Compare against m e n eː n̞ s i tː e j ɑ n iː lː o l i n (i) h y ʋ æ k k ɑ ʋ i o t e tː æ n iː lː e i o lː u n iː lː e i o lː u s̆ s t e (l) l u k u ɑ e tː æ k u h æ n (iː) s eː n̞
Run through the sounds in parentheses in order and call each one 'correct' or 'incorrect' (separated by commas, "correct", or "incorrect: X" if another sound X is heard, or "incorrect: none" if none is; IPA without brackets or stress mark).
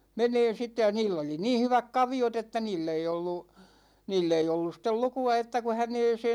incorrect: iː, correct, incorrect: eː